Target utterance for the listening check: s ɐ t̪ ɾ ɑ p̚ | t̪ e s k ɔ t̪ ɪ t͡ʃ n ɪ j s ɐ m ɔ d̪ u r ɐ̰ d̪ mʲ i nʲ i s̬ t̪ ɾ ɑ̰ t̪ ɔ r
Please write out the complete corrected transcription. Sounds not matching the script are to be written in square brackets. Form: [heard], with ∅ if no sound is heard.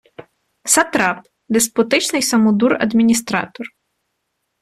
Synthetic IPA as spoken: s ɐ t̪ ɾ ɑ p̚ | [d̪] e s [p] ɔ t̪ ɪ t͡ʃ n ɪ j s ɐ m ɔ d̪ u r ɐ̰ d̪ mʲ i nʲ i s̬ t̪ ɾ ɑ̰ t̪ ɔ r